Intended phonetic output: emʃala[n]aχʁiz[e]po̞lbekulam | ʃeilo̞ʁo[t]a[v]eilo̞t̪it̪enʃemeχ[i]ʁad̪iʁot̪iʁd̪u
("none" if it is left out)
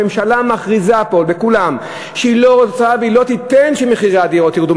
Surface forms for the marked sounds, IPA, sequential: m, a, t͡s, v, i

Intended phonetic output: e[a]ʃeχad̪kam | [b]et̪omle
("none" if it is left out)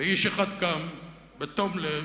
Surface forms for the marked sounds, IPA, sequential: i, b

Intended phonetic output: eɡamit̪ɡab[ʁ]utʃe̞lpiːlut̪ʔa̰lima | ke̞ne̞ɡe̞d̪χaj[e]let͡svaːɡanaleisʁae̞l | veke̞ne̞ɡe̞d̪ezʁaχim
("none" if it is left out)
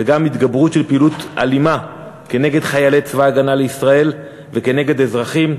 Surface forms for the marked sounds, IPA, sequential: ʁ, a

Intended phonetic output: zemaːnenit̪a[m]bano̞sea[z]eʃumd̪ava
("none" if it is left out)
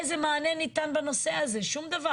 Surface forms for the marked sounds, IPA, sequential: n, z

